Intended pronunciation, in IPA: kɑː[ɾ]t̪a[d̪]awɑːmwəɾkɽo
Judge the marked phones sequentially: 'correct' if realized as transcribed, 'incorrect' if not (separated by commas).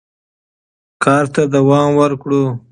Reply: correct, correct